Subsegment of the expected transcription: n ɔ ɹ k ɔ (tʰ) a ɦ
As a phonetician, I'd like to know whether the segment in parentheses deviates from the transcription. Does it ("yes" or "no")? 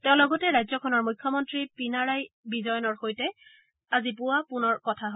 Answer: no